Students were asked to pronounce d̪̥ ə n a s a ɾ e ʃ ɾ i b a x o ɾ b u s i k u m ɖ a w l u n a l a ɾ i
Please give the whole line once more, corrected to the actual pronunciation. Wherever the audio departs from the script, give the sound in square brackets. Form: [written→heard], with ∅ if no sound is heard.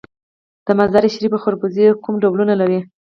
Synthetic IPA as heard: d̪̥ ə [n→m] a [s→z] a ɾ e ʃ ɾ i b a x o ɾ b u [s→z] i k u m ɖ a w l u n a l a ɾ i

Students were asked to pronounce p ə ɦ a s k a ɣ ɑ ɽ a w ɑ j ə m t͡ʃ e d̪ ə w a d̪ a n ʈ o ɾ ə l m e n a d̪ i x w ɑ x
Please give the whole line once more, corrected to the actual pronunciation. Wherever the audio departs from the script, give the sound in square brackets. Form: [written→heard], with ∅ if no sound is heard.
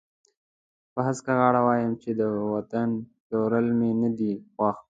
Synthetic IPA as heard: p ə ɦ a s k a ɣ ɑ ɽ a w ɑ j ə m t͡ʃ e d̪ ə w a [d̪→t̪] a n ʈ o ɾ ə l m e n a d̪ i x w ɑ x

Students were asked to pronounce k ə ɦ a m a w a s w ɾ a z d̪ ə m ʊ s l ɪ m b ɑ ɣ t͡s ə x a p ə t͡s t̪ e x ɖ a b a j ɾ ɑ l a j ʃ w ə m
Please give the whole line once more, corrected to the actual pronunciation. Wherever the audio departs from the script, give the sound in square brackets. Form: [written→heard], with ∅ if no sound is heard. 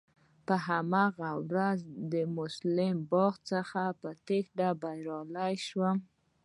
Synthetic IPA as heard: [k→p] ə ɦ a m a [w→ɣ] a [s→∅] w ɾ a z d̪ ə m ʊ s l ɪ m b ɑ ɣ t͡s ə x a p ə [t͡s→∅] t̪ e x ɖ a b a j ɾ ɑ l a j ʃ w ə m

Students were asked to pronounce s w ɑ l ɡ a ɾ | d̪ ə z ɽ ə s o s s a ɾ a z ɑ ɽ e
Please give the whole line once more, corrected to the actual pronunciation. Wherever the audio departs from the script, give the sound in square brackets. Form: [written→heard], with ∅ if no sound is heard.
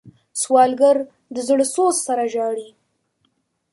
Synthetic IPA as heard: s w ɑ l ɡ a ɾ | d̪ ə z ɽ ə s o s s a ɾ a [z→ʒ] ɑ ɽ [e→i]

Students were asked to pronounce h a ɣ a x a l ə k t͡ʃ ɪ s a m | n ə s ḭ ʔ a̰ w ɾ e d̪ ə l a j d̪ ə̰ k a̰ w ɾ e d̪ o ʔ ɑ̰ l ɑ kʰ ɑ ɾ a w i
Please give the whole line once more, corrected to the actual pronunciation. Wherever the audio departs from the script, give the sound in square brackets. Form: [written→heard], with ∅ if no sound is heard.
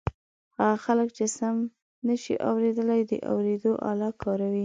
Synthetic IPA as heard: h a ɣ a x a l ə k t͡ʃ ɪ s a m | n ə [s→ʃ] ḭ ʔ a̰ w ɾ e d̪ ə l a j d̪ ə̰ [k→ʔ] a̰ w ɾ e d̪ o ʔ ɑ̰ l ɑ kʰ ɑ ɾ a w i

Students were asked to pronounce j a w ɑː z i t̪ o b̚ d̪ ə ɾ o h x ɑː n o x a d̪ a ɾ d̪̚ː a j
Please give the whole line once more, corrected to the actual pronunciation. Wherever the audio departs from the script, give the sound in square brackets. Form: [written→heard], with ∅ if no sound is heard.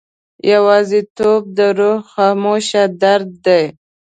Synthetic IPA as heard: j a w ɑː z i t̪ o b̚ d̪ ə ɾ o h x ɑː [n→m] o [x→ʃ] a d̪ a ɾ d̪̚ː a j

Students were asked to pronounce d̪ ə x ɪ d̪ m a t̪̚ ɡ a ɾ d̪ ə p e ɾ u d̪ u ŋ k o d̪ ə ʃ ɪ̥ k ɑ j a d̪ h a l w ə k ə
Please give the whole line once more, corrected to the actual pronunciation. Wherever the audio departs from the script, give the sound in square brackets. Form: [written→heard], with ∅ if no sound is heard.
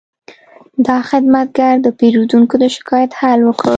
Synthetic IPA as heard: d̪ [ə→ɑ] x ɪ d̪ m a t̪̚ ɡ a ɾ d̪ ə p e ɾ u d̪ u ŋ k o d̪ ə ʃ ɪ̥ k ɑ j a [d̪→t̪] h a l w ə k ə

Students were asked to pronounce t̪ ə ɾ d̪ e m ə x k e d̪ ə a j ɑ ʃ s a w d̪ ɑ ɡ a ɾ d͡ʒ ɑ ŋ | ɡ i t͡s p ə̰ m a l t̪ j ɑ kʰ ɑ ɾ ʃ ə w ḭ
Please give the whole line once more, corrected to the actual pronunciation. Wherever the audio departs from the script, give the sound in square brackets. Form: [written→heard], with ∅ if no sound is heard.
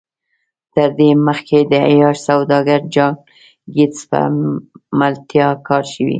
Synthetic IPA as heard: t̪ ə ɾ d̪ e m ə x k e d̪ ə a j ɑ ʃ s a w d̪ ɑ ɡ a ɾ d͡ʒ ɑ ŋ | ɡ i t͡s p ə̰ m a l t̪ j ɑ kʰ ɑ ɾ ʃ ə w ḭ

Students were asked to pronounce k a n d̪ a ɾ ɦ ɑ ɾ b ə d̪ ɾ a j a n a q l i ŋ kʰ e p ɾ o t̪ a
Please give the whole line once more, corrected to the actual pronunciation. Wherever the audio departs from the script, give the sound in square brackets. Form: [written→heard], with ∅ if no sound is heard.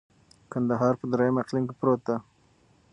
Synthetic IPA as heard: k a n d̪ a [ɾ→∅] ɦ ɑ ɾ [b→p] ə d̪ ɾ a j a [n→m] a q l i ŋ [kʰ→k] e p ɾ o t̪ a

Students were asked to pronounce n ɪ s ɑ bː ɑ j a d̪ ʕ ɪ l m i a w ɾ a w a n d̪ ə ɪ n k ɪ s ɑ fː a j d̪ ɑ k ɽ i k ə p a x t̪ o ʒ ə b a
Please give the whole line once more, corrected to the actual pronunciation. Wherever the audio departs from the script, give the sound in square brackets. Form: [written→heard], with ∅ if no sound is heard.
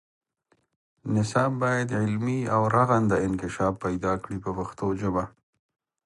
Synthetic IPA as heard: n ɪ s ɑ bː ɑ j a d̪ ʕ ɪ l m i a w ɾ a [w→ɣ] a n d̪ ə ɪ n k ɪ [s→ʃ] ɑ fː a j d̪ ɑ k ɽ i [k→p] ə p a x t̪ o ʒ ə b a

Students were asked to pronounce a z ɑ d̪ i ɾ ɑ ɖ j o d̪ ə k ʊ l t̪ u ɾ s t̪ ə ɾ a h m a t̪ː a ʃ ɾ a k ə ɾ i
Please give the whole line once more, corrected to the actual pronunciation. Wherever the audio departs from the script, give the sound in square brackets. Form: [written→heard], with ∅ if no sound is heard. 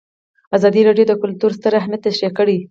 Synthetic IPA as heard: a z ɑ d̪ i ɾ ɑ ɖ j o d̪ ə k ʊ l t̪ u ɾ s t̪ ə ɾ a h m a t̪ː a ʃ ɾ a k ə [ɾ→ɽ] i

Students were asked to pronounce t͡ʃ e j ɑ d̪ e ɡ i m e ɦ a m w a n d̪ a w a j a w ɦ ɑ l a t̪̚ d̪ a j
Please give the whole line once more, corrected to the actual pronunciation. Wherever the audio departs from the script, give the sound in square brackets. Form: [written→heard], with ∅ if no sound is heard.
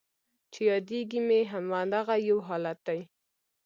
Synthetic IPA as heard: t͡ʃ e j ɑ d̪ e ɡ i m e ɦ a m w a n d̪ a [w→ɣ] a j a w ɦ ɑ l a t̪̚ d̪ a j

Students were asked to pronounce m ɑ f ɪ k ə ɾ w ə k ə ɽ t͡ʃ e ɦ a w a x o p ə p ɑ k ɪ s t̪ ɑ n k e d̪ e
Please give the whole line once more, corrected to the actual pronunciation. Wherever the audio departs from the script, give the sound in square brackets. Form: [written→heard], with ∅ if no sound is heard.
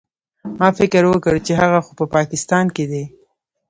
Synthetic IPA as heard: m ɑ f ɪ k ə ɾ w ə k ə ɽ t͡ʃ e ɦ a [w→ɣ] a x o p ə p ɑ k ɪ s t̪ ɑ n k e d̪ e

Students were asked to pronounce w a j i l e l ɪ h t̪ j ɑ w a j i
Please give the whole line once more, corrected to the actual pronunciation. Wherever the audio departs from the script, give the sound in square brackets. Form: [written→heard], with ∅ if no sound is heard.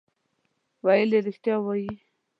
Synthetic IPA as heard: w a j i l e [l→ɾ] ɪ [h→x] t̪ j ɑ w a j i

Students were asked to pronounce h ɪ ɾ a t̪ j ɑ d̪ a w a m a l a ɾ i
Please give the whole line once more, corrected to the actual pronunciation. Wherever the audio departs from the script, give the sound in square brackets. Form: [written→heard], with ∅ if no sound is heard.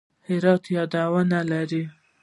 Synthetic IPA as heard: h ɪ ɾ [a→ɑ] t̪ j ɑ d̪ a w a [m→n] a l a ɾ i

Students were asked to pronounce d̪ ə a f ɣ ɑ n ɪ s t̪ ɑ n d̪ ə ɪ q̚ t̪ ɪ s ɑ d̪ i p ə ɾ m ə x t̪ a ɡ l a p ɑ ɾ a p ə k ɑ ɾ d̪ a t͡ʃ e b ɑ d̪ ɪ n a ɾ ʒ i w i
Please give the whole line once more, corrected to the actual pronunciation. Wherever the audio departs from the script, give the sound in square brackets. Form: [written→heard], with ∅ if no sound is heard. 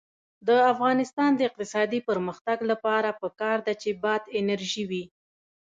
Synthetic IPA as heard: d̪ ə a f ɣ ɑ n ɪ s t̪ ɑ n d̪ ə ɪ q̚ t̪ ɪ s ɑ d̪ i p ə ɾ m ə x t̪ a ɡ l a p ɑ ɾ a p ə k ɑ ɾ d̪ a t͡ʃ e b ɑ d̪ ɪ n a ɾ ʒ i w i

